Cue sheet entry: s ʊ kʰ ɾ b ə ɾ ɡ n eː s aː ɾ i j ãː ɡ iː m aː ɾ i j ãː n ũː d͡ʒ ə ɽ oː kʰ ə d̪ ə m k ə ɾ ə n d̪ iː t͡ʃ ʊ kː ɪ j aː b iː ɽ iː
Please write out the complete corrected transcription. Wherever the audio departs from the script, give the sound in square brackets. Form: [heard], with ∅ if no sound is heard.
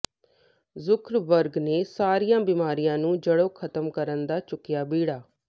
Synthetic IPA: [z] ʊ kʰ ɾ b ə ɾ ɡ n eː s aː ɾ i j ãː [b] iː m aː ɾ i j ãː n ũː d͡ʒ ə ɽ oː kʰ ə [t̪] ə m k ə ɾ ə n d̪ [aː] t͡ʃ ʊ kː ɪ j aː b iː ɽ [aː]

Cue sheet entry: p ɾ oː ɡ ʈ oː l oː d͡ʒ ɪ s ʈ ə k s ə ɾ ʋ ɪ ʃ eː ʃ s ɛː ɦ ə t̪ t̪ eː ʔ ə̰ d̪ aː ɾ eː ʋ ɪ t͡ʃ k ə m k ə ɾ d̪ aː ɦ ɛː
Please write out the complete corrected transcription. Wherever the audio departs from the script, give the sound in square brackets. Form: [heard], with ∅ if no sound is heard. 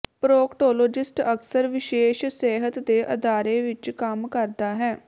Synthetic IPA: p ɾ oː [k] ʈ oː l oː d͡ʒ ɪ s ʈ ə k s ə ɾ ʋ ɪ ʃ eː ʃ s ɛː ɦ ə t̪ [d̪] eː ʔ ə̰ d̪ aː ɾ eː ʋ ɪ t͡ʃ k ə m k ə ɾ d̪ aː ɦ ɛː

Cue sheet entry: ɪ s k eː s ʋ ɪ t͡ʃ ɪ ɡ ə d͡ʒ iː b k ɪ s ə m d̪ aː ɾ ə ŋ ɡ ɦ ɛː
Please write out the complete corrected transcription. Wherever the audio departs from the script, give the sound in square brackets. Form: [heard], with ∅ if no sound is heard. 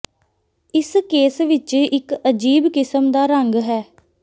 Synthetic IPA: ɪ s k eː s ʋ ɪ t͡ʃ ɪ [k] ə d͡ʒ iː b k ɪ s ə m d̪ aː ɾ ə ŋ ɡ ɦ ɛː

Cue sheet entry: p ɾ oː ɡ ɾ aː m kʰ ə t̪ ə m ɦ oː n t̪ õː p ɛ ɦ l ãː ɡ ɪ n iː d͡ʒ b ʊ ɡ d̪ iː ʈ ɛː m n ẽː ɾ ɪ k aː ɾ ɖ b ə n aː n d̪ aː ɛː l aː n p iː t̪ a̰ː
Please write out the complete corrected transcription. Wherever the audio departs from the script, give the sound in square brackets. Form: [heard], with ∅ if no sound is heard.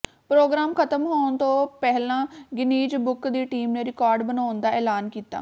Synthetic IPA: p ɾ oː ɡ ɾ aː m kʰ ə t̪ ə m ɦ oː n t̪ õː p ɛ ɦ l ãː ɡ ɪ n iː d͡ʒ b ʊ [k] d̪ iː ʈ [iː] m n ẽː ɾ ɪ k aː ɾ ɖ b ə n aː n d̪ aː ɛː l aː n [k] iː t̪ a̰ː

